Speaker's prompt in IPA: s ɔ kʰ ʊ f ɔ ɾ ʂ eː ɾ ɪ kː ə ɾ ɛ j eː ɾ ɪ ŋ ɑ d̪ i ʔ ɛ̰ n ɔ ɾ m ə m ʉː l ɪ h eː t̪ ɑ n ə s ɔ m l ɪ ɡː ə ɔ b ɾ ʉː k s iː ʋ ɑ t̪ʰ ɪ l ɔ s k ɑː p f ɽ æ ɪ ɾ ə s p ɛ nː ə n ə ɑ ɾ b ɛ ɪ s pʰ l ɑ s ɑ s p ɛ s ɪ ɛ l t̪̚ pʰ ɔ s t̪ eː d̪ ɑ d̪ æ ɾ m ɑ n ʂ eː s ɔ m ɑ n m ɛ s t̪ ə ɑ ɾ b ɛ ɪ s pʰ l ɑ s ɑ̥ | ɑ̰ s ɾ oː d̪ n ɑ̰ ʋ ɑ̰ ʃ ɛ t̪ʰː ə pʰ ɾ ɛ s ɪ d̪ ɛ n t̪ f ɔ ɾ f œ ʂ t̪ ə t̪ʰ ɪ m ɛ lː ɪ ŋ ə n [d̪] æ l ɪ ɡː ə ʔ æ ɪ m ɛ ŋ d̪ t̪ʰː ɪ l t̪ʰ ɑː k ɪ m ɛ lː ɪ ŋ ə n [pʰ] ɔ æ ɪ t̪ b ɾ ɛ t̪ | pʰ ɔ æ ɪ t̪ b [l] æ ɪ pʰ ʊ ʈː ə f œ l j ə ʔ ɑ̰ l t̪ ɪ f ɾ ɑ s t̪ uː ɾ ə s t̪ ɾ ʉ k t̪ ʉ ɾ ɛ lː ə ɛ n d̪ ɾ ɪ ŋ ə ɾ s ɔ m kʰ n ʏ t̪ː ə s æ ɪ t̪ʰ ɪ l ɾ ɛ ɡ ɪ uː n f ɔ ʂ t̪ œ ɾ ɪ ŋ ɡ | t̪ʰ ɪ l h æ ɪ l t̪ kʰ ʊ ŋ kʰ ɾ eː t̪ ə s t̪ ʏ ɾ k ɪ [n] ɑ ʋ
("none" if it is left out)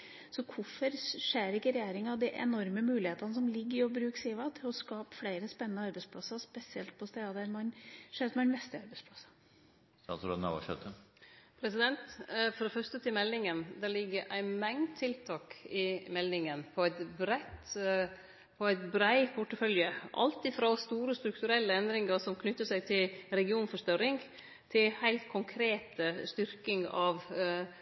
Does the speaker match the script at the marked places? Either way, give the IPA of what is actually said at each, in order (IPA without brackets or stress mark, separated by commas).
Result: d̪, pʰ, ɾ, ŋ